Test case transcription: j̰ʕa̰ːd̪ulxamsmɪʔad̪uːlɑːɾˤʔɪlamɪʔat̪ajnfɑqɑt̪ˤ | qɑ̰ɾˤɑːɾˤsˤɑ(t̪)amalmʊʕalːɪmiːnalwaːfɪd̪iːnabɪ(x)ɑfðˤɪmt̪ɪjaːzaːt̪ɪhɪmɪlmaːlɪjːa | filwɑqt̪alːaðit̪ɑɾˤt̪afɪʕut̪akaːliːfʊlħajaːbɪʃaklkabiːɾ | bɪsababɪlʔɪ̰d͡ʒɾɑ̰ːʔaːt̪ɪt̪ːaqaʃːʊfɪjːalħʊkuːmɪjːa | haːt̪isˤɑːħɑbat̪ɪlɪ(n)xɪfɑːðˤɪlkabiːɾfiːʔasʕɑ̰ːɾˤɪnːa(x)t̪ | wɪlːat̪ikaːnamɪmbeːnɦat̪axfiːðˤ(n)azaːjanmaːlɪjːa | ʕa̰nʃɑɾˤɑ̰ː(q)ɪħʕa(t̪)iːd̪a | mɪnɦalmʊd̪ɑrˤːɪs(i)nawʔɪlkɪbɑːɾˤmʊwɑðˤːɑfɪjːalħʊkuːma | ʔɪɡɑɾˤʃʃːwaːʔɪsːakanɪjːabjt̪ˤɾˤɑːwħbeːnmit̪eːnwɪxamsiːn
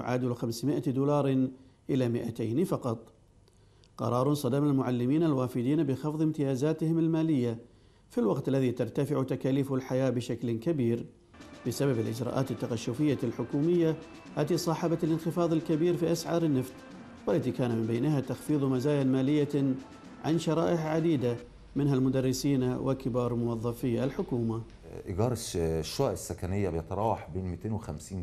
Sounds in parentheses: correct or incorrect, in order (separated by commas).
incorrect, correct, correct, incorrect, incorrect, incorrect, incorrect, incorrect